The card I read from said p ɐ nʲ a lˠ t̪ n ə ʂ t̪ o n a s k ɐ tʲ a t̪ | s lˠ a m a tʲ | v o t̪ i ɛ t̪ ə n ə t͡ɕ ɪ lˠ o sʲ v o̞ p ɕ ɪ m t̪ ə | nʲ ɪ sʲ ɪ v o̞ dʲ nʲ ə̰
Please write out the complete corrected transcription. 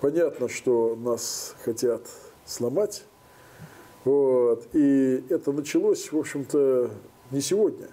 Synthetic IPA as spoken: p ɐ nʲ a t̪ n ə ʂ t̪ o n a s x ɐ tʲ a t̪ | s lˠ ɐ m a tʲ | v o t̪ i ɛ t̪ ə n ə t͡ɕ ɪ lˠ o sʲ v o̞ p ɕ ɪ m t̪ ə | nʲ ɪ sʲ ɪ v o̞ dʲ nʲ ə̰